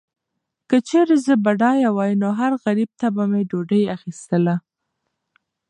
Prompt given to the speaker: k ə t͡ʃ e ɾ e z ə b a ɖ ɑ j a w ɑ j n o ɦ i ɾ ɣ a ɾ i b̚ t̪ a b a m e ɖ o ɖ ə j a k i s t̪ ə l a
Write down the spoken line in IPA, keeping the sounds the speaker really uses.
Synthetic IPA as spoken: k ə t͡ʃ e ɾ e z ə b a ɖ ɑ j a w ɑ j n o ɦ a ɾ ɣ a ɾ i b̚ t̪ a b a m e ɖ o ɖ ə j a x i s t̪ ə l a